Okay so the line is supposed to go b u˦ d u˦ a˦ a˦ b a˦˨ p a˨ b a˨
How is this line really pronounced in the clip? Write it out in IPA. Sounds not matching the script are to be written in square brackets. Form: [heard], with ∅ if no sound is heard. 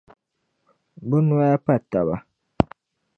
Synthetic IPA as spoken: b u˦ [n] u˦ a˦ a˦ [p] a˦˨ [t] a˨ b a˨